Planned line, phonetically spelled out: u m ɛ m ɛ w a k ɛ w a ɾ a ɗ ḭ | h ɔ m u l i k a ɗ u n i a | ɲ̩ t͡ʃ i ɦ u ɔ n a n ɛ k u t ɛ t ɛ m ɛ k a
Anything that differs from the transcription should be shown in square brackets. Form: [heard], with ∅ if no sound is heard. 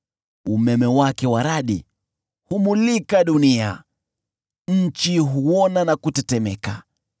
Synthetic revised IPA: u m ɛ m ɛ w a k ɛ w a ɾ a ɗ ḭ | h [u] m u l i k a ɗ u n i a | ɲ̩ t͡ʃ i ɦ u ɔ n a n [a] k u t ɛ t ɛ m ɛ k a